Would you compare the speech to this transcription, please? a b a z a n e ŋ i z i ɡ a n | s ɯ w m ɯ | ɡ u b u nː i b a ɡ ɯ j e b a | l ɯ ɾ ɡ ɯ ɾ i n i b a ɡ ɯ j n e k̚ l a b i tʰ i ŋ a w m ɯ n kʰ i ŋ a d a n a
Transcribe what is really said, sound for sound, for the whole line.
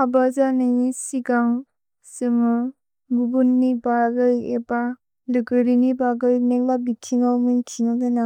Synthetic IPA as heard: a b a z a n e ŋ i s i ɡ a ŋ | s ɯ m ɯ | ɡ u b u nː i b a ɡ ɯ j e b a | l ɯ ɡ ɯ ɾ i n i b a ɡ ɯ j n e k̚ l a b i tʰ i ŋ a w m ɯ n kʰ i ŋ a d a n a